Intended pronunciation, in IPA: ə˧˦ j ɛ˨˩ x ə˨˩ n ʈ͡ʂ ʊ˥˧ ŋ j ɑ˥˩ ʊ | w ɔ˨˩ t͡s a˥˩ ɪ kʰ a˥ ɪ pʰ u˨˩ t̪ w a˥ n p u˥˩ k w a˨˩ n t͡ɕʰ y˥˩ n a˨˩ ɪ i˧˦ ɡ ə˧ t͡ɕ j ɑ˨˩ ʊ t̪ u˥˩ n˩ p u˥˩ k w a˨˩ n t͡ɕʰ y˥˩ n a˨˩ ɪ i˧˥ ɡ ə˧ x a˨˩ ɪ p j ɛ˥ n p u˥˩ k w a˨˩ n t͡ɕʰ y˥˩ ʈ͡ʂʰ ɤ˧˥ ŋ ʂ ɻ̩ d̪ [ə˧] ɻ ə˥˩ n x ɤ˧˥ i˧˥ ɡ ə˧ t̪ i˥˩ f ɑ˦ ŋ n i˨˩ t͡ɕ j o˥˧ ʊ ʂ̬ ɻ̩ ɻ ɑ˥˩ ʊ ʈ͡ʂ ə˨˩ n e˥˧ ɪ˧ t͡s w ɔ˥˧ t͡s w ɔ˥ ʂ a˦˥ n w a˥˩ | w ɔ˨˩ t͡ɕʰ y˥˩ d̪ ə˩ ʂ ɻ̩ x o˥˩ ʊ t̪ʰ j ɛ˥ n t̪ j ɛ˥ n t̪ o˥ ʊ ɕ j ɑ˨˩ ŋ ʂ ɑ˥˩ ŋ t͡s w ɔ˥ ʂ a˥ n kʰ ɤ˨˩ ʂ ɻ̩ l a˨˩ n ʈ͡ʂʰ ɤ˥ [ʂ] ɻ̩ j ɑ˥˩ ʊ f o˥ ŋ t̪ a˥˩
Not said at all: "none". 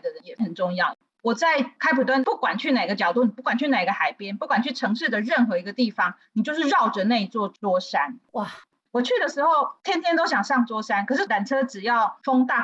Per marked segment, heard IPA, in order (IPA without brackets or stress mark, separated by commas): ə˩, ʈ͡ʂ